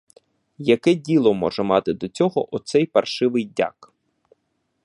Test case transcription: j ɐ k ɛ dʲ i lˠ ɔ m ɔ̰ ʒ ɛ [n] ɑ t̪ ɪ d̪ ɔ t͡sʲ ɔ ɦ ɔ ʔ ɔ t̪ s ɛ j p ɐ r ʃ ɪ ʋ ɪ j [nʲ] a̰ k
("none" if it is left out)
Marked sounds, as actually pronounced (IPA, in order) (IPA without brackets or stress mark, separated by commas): m, dʲ